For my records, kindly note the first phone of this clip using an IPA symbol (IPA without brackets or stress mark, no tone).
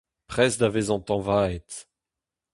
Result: p